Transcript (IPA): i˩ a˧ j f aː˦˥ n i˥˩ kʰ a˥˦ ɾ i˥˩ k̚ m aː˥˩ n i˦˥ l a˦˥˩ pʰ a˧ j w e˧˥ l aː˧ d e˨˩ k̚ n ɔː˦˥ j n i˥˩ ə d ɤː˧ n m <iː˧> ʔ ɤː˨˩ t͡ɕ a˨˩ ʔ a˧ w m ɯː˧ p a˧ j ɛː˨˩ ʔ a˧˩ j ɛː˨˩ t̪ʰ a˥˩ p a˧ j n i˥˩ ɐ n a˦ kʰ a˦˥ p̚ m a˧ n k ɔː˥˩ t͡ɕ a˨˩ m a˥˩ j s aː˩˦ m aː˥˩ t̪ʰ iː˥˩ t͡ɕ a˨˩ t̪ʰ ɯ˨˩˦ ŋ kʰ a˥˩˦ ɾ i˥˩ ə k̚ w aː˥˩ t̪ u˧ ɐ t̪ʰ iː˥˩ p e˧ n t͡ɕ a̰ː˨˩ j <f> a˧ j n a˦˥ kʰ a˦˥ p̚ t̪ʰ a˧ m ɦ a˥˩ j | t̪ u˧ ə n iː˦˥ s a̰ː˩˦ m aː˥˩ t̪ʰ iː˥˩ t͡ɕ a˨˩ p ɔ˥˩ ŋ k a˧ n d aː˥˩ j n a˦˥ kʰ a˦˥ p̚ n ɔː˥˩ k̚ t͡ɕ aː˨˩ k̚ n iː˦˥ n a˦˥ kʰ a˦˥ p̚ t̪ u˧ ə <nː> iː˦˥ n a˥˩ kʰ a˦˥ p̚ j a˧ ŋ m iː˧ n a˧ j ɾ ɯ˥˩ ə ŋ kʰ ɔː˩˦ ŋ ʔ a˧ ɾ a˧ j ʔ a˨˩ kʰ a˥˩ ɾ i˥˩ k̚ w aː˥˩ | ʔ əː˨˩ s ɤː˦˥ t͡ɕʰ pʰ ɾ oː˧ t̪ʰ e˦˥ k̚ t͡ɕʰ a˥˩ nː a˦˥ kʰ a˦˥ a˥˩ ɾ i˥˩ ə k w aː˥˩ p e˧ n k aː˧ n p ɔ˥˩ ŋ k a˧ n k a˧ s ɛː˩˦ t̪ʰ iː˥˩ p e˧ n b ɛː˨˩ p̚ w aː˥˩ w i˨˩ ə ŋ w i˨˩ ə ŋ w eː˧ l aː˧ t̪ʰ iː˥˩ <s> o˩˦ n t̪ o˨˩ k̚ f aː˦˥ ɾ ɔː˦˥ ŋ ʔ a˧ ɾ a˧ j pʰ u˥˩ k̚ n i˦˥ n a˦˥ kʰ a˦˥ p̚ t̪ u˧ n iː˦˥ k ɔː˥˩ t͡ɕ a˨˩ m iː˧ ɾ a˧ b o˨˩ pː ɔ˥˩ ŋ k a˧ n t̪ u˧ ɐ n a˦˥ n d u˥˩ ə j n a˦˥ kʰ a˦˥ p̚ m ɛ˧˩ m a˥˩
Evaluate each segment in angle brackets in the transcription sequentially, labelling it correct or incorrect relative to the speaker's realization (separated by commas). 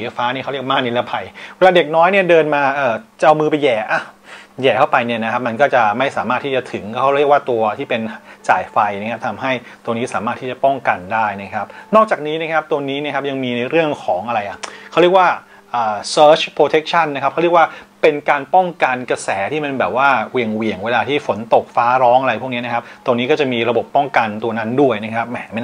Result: incorrect, correct, incorrect, incorrect